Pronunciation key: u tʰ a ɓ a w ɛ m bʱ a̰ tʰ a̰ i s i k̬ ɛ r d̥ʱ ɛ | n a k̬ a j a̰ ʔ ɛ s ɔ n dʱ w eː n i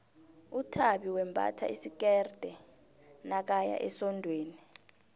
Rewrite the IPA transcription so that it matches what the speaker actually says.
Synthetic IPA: u tʰ a ɓ i w ɛ m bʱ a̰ tʰ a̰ i s i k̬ ɛ r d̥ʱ ɛ | n a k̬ a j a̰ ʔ ɛ s ɔ n dʱ w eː n i